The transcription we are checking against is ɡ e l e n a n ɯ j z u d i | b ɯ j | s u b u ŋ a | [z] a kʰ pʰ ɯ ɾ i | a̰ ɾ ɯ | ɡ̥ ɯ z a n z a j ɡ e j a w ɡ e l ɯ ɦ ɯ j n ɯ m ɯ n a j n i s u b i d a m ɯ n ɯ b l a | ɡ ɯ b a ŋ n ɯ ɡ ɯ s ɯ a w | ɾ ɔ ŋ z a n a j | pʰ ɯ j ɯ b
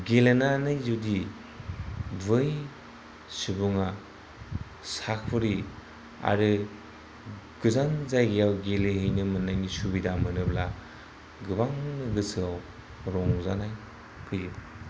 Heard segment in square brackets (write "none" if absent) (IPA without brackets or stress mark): s